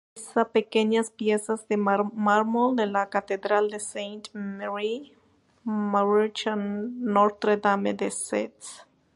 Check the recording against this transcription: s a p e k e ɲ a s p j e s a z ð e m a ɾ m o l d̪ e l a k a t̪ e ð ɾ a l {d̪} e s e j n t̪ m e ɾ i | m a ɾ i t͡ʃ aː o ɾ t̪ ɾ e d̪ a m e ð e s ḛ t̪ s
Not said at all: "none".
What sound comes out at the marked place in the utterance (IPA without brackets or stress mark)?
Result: d̪